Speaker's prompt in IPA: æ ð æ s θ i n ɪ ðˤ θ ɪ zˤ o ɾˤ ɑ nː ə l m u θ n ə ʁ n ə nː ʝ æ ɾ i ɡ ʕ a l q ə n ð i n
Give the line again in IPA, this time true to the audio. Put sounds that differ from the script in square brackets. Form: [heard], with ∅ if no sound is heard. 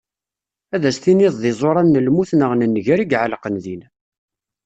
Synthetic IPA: æ ð æ s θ i n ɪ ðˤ [ð] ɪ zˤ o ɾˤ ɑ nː ə l m u θ n ə ʁ n ə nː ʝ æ ɾ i ɡ ʕ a l q ə n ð i n